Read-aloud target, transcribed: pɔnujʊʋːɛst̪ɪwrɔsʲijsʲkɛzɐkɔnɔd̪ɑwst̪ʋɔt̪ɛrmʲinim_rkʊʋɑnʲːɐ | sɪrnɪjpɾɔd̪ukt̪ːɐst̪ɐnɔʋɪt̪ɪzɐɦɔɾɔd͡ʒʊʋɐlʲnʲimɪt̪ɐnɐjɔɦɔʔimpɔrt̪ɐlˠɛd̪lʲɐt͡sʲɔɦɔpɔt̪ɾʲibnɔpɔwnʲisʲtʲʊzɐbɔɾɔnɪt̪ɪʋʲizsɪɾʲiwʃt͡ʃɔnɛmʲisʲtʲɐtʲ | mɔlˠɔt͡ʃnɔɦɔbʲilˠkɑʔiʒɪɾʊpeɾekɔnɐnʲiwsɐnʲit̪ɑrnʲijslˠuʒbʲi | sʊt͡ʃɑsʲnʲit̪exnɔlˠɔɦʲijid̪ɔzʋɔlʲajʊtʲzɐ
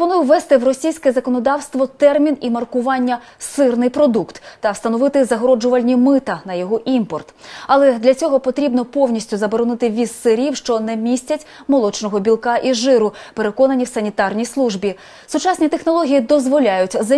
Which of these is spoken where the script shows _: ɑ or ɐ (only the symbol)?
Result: ɐ